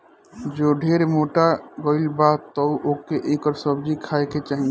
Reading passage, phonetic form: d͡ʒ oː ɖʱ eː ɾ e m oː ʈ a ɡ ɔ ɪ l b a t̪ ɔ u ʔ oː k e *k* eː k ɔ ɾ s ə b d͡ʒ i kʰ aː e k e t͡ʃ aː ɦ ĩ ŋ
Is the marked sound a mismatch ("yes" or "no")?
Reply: yes